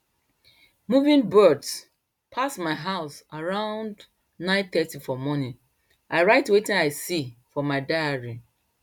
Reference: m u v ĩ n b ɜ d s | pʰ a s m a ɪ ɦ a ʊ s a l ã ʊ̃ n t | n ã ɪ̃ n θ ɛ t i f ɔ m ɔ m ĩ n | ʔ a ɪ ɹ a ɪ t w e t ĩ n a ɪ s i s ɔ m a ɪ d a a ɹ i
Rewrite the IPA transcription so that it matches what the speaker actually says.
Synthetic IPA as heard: m u v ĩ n b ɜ d s | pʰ a s m a ɪ ɦ a ʊ s a ɹ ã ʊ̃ n d | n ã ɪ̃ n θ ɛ t i f ɔ m ɔ n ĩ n | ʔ a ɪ ɹ a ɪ t w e t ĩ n a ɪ s i f ɔ m a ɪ d a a ɹ i